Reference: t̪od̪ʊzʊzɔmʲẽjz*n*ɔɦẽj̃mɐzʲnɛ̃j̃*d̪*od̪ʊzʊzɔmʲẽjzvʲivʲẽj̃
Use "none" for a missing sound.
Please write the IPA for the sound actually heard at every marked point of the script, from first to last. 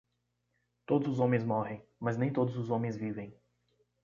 m, t̪

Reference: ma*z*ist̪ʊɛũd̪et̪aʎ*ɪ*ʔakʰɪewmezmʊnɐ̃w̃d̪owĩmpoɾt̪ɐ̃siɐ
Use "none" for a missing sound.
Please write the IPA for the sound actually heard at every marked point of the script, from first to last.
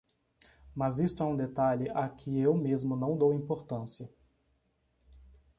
z, ɪ

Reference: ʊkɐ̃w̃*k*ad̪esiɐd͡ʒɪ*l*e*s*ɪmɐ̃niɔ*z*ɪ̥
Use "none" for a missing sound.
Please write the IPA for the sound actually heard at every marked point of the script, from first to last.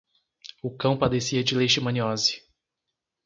p, l, ʃ, z

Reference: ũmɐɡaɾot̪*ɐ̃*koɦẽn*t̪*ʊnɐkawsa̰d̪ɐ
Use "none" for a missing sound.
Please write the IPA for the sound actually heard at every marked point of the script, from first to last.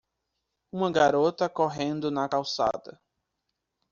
ɐ, d̪

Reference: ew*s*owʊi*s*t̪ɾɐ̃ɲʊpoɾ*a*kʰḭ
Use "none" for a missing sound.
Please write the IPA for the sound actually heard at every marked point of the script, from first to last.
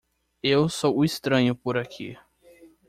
s, s, a

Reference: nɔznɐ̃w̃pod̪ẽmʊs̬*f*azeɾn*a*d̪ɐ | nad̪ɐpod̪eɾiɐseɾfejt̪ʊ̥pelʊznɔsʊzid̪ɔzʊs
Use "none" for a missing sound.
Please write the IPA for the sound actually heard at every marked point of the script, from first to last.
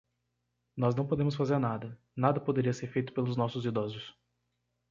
f, a

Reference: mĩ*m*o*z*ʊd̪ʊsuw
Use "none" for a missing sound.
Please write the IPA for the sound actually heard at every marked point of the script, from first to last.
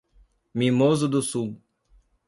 m, z

